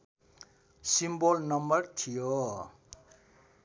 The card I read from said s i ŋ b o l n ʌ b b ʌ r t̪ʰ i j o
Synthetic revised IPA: s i m b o l n ʌ m b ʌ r t̪ʰ i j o